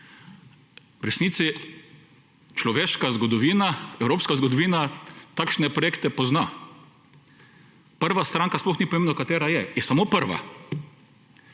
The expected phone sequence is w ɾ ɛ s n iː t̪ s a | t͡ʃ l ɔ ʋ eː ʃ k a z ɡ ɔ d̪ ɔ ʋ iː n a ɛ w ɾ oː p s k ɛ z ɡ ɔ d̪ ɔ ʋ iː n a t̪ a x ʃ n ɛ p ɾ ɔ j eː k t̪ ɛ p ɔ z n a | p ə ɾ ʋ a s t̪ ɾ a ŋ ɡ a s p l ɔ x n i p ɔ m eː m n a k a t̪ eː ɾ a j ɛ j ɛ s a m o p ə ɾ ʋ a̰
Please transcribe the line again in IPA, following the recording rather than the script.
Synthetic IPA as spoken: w ɾ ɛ s n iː t̪ s i | t͡ʃ l ɔ ʋ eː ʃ k a z ɡ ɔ d̪ ɔ ʋ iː n a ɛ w ɾ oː p s k a z ɡ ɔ d̪ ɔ ʋ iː n a t̪ a k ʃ n ɛ p ɾ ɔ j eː k t̪ ɛ p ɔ z n a | p ə ɾ ʋ a s t̪ ɾ a ŋ k a s p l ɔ x n i p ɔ m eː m n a k a t̪ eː ɾ a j ɛ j ɛ s a m o p ə ɾ ʋ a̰